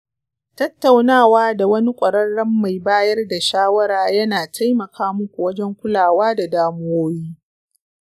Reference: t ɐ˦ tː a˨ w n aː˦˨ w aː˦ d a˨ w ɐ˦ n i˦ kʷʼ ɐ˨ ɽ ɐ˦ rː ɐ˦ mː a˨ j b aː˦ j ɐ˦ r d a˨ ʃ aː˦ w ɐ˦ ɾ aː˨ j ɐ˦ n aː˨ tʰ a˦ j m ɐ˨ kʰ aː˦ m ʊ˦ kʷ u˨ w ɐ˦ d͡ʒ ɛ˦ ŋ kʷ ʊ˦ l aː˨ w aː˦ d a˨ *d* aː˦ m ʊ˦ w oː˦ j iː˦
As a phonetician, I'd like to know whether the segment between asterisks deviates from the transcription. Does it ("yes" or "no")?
no